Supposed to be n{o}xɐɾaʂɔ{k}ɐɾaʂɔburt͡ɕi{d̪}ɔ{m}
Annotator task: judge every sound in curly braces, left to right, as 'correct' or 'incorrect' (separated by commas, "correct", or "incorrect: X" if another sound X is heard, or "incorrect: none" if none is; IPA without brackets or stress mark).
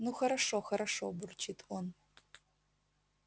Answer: incorrect: u, incorrect: x, incorrect: t̪, incorrect: n